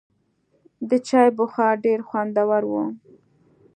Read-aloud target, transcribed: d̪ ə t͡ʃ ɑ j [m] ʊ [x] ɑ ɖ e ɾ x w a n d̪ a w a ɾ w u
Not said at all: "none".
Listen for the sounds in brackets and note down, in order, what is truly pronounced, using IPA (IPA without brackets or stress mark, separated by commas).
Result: b, x